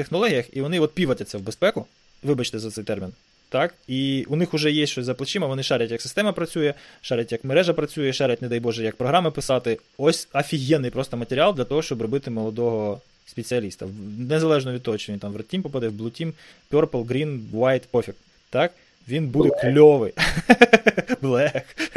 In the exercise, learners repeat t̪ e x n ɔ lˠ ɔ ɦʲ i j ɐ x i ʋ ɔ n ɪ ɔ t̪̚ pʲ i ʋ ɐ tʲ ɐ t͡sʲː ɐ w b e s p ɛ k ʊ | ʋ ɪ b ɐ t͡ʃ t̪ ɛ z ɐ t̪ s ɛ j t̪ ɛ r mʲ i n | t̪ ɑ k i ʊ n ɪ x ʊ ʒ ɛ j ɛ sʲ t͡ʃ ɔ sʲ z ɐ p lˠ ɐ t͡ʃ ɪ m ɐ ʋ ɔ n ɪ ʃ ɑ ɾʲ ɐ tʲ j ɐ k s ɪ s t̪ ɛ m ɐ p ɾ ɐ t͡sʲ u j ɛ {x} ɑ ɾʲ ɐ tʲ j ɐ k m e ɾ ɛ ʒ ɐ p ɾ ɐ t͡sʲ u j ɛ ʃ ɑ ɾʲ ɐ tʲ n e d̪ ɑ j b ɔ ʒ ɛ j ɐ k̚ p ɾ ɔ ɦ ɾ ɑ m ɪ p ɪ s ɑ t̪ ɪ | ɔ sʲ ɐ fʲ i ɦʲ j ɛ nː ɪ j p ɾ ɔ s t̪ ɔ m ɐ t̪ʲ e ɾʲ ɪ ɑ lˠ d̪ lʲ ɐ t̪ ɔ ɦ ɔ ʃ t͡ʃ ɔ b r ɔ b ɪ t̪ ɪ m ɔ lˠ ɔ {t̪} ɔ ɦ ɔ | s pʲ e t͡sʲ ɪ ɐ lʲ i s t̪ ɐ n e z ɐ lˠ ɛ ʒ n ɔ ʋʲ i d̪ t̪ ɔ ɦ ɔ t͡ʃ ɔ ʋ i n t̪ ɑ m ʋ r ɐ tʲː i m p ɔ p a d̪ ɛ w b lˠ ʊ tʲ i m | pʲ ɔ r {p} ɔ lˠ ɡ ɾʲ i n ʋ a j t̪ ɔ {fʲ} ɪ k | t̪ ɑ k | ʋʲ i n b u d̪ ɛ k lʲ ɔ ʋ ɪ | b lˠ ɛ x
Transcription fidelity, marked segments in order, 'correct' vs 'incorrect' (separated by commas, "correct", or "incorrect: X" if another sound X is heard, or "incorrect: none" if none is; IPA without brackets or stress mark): incorrect: ʃ, incorrect: d̪, correct, correct